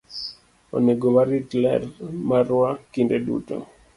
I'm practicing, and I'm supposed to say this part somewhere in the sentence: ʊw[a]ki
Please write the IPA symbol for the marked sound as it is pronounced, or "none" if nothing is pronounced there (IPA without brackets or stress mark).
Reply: a